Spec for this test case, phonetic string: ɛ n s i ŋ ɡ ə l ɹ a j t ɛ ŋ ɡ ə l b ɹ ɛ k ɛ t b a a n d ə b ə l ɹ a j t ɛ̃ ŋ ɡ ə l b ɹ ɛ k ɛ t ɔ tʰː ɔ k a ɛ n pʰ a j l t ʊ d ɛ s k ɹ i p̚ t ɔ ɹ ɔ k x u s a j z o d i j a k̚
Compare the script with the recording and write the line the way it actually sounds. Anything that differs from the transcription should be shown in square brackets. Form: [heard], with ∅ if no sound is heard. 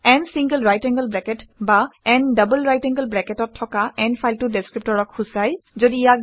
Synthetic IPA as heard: ɛ n s i ŋ ɡ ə l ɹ a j t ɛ ŋ ɡ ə l b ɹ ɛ k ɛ t b a [ɛ] n d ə b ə l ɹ a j t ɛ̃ ŋ ɡ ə l b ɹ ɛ k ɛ t ɔ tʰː ɔ k a ɛ n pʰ a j l t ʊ d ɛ s k ɹ i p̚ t ɔ ɹ ɔ k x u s a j z o d i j a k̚